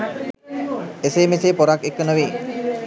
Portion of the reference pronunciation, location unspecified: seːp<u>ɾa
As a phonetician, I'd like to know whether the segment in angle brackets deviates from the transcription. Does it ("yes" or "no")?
yes